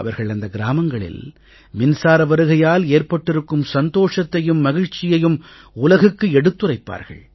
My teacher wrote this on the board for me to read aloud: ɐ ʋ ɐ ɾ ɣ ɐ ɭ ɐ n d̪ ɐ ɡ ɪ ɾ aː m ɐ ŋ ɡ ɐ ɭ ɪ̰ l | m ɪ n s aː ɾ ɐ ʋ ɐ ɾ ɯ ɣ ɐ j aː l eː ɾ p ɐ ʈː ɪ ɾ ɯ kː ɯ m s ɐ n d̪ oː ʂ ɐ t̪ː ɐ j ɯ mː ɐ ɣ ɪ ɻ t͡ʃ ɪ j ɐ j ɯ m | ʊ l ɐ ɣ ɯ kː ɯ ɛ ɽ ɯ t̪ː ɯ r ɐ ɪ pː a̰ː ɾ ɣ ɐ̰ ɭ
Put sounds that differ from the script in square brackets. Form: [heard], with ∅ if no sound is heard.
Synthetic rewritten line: ɐ ʋ ɐ ɾ ɣ ɐ ɭ ɐ n d̪ ɐ ɡ ɪ ɾ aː m ɐ ŋ ɡ ɐ ɭ ɪ̰ l | m ɪ n s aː ɾ ɐ ʋ ɐ ɾ ɯ ɣ ɐ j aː l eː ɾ p ɐ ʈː ɪ ɾ ɯ kː ɯ m s ɐ n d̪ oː ʂ ɐ t̪ː ɐ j ɯ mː ɐ ɣ ɪ ɻ t͡ʃ ɪ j ɐ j ɯ m | ʊ l ɐ ɣ ɯ kː ɯ ɛ ɽ ɯ t̪ː ɯ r ɐ ɪ pː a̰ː ɾ ɣ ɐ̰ ɭ